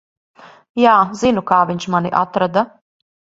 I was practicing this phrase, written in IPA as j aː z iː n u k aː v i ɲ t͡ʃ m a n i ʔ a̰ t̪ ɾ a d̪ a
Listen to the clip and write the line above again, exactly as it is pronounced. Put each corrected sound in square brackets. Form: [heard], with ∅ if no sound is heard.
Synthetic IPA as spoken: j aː z [i] n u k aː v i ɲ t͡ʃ m a n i ʔ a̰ t̪ ɾ a d̪ a